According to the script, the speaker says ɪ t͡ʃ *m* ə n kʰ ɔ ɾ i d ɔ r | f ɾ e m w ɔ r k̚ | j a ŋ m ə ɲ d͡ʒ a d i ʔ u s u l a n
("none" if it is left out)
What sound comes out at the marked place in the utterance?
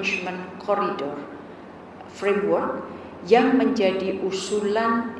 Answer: m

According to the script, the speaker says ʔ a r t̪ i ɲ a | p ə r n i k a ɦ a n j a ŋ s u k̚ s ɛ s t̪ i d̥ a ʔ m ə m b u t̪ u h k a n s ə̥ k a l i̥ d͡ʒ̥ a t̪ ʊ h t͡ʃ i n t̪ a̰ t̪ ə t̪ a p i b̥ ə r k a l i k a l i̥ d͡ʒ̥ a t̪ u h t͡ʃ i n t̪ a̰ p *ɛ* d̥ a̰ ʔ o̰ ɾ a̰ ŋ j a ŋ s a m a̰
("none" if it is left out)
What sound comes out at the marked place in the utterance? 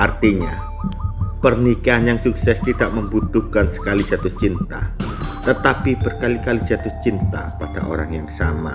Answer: a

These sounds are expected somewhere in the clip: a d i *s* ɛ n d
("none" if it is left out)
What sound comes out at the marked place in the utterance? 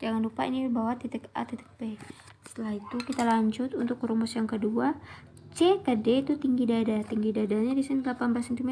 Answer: s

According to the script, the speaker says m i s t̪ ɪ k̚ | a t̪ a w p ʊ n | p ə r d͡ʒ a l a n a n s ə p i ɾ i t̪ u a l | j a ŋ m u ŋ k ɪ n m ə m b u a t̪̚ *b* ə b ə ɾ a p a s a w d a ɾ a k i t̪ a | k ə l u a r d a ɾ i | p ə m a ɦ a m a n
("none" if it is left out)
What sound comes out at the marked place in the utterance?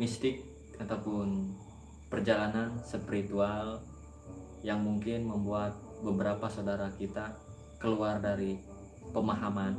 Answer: b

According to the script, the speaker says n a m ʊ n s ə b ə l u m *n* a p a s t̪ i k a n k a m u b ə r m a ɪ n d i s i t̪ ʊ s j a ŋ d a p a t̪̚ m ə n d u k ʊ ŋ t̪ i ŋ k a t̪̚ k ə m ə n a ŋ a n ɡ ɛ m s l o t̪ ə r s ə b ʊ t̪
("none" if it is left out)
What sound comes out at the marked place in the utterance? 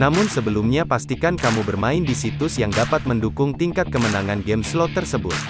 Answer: ɲ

